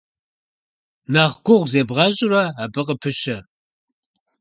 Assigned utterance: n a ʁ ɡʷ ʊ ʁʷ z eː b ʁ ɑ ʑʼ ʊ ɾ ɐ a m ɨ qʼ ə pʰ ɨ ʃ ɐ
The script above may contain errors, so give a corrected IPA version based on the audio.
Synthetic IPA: n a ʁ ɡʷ ʊ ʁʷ z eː b ʁ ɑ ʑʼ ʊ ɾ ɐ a b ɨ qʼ ə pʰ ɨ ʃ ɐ

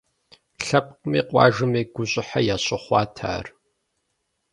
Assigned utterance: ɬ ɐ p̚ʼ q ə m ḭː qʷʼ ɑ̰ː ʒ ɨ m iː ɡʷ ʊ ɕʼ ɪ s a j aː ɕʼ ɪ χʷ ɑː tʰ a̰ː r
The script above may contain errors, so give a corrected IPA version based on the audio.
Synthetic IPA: ɬ ɐ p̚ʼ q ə m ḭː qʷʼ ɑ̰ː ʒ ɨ m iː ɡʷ ʊ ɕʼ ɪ ħ a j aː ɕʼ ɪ χʷ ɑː tʰ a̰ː r

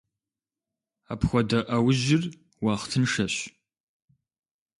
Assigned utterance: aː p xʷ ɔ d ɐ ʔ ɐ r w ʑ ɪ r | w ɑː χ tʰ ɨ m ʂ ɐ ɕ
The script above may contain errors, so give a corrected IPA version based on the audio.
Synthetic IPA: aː p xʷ ɔ d ɐ ʔ ɐ w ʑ ɪ r | w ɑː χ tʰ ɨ n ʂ ɐ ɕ

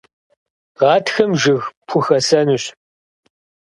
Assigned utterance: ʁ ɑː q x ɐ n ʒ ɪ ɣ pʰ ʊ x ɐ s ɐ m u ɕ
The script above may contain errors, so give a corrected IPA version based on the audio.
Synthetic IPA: ʁ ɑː t x ɐ m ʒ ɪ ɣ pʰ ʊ x ɐ s ɐ n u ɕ

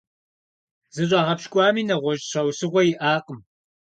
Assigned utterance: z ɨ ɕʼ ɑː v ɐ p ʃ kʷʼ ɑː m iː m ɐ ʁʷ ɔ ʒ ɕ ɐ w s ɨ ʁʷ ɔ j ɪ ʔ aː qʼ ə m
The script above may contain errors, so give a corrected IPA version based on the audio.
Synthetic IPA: z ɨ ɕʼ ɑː ʁ ɐ p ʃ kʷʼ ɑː m iː n ɐ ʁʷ ɔ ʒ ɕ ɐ w s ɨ ʁʷ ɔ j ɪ ʔ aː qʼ ə m

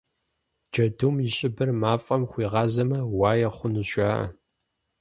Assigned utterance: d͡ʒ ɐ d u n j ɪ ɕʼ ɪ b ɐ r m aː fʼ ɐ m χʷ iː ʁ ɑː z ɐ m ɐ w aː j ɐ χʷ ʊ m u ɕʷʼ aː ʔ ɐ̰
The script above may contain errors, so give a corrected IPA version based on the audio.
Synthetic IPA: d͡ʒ ɐ d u m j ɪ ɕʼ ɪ b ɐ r m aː fʼ ɐ m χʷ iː ʁ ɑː z ɐ m ɐ w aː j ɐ χʷ ʊ n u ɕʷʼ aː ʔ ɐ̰

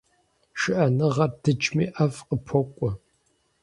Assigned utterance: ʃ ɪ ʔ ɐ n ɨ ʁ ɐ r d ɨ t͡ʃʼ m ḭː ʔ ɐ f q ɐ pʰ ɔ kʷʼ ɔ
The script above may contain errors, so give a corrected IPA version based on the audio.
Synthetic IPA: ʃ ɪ ʔ ɐ n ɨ ʁ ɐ r d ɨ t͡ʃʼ m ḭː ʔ ɐ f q ə pʰ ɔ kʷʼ ɔ

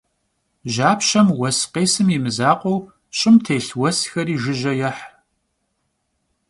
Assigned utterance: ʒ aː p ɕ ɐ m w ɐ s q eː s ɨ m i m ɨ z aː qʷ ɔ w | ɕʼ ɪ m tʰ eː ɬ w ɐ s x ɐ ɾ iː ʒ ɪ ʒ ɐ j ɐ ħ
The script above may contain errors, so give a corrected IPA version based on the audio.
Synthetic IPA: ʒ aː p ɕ ɐ m w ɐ s q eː s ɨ m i m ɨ z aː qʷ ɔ w | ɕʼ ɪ m tʰ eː ɬ w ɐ s x ɐ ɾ iː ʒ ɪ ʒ ɐ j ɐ ħ

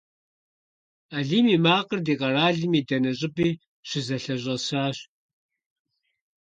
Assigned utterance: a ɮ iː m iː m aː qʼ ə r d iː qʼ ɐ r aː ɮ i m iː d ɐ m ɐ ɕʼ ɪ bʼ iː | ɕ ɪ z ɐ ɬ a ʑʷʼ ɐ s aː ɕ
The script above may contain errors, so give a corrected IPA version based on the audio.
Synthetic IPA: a ɮ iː m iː m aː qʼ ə r d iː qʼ ɐ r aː ɮ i m iː d ɐ n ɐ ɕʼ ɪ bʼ iː | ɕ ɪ z ɐ ɬ ɐ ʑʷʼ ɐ s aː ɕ

